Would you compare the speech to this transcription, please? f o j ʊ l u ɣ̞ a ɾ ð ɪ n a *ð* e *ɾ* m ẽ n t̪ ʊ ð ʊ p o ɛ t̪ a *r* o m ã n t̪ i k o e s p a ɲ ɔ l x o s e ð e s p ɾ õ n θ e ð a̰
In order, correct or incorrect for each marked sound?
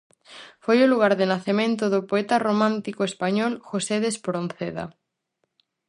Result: incorrect: θ, incorrect: none, correct

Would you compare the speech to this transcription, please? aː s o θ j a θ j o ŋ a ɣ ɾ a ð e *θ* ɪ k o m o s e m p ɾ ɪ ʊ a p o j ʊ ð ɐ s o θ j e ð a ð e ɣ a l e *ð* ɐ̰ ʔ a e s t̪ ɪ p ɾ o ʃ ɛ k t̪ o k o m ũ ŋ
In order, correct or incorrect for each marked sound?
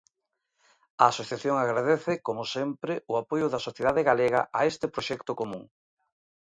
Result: correct, incorrect: ɣ

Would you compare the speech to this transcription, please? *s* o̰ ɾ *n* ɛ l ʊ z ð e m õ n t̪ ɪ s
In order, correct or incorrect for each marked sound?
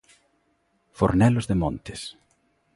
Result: incorrect: f, correct

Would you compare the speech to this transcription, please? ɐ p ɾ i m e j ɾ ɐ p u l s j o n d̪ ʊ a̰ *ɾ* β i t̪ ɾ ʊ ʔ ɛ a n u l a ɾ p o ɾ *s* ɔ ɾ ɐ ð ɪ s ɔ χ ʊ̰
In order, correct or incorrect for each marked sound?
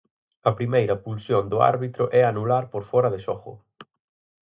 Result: correct, incorrect: f

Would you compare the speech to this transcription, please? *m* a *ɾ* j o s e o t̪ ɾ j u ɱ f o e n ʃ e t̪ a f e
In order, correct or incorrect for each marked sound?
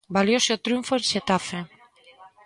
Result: incorrect: b, incorrect: l

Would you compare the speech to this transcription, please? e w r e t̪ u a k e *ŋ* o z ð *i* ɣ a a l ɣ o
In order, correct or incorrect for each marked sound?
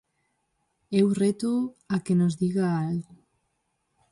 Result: incorrect: n, correct

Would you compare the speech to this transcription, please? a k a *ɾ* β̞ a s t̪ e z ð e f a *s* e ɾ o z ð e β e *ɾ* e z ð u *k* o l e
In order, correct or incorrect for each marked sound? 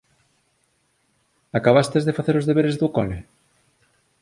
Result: incorrect: none, incorrect: θ, correct, correct

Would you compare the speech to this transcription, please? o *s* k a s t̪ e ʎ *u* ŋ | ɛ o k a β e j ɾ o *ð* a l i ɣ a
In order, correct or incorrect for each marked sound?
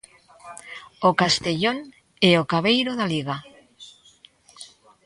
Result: incorrect: none, incorrect: o, correct

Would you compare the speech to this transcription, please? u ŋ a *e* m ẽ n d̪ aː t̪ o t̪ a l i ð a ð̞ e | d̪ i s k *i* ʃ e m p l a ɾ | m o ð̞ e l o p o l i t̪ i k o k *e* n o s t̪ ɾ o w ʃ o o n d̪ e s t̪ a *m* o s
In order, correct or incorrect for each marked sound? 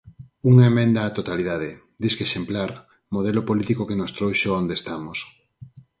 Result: correct, incorrect: e, correct, correct

